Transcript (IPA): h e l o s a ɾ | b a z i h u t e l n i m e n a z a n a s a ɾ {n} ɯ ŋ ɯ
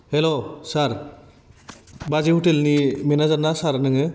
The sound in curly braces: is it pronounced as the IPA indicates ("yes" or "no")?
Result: yes